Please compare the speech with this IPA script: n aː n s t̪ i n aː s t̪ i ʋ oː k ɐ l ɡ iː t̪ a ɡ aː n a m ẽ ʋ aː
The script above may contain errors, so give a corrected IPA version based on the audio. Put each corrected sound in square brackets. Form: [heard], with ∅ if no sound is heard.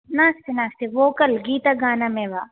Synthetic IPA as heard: n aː [∅] s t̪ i n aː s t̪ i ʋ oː k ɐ l ɡ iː t̪ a ɡ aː n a m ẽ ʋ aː